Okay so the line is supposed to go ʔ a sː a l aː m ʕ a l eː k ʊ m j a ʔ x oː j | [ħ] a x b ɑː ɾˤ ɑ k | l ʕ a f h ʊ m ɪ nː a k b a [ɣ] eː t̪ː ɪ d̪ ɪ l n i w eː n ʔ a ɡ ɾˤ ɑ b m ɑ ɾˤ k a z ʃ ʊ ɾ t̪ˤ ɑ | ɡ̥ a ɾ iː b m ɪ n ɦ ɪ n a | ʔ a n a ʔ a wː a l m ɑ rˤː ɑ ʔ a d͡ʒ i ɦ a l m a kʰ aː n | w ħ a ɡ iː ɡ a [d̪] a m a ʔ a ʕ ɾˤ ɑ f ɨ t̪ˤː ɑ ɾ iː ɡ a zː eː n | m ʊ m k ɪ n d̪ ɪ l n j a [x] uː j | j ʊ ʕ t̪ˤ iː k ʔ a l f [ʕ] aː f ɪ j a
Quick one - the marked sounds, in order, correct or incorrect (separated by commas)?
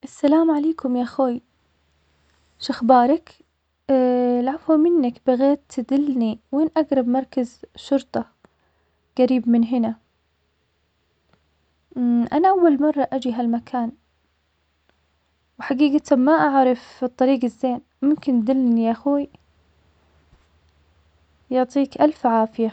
incorrect, correct, incorrect, correct, correct